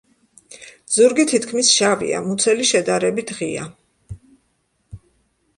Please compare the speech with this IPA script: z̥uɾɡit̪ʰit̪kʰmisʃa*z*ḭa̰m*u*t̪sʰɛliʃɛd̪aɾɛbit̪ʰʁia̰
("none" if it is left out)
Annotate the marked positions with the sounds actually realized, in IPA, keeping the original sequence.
v, u

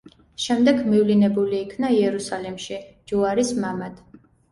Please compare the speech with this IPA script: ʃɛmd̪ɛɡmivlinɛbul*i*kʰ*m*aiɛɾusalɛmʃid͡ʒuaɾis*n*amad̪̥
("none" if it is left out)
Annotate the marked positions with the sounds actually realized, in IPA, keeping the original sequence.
iː, n, m

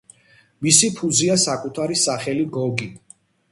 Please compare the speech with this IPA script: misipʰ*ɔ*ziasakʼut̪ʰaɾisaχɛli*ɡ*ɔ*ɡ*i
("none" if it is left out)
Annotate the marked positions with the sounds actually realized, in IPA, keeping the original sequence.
u, ɡ, ɡ

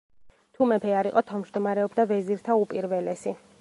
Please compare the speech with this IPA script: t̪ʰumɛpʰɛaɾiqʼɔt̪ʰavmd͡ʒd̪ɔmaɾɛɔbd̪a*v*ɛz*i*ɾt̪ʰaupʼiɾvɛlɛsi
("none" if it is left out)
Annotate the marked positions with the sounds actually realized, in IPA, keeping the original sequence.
v, i

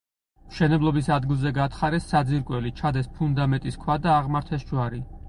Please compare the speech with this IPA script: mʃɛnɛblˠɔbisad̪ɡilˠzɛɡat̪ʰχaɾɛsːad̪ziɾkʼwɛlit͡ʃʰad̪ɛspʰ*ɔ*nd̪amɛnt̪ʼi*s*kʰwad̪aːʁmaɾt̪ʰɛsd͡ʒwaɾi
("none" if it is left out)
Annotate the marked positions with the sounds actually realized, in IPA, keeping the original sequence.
u, s

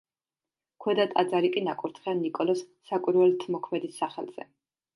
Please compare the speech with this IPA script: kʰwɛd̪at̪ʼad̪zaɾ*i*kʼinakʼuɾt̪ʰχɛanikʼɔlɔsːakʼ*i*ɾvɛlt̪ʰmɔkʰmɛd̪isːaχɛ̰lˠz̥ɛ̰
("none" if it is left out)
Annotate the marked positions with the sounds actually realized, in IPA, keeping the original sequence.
i, i

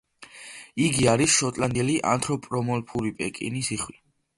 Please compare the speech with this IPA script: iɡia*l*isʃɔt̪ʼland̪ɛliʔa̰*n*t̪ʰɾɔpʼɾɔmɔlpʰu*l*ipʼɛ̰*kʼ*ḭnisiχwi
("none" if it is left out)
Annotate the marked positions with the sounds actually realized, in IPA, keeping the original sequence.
ɾ, n, ɾ, kʼ

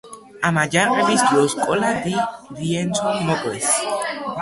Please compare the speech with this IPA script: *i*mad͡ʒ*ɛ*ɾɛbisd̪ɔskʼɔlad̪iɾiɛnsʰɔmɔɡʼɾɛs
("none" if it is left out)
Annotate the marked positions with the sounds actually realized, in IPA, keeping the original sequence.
a, a

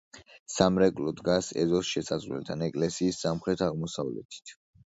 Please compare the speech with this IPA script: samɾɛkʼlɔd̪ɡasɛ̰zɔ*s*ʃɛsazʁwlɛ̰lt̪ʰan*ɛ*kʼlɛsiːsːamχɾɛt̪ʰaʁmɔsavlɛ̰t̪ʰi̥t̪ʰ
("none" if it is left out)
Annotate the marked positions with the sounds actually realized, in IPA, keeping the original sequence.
s, ɛ

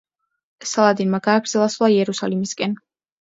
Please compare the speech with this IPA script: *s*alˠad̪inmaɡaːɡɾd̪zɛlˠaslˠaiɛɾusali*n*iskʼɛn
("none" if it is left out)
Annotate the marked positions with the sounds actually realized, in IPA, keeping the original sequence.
s, m

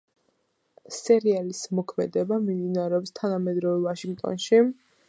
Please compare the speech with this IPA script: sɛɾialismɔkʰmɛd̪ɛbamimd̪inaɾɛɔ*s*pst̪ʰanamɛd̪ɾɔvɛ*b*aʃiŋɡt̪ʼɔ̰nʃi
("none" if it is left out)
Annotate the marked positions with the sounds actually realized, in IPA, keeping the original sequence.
none, v

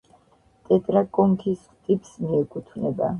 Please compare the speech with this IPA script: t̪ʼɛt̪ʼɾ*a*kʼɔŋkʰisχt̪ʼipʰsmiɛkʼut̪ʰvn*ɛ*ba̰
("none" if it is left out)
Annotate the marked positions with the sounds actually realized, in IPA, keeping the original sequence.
a, ɛ

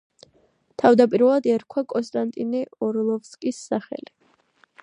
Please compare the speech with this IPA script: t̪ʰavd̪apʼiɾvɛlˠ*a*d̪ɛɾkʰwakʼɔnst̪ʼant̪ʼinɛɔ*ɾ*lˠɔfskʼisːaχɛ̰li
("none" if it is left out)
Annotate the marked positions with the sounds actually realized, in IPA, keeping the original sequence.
a, ɾ

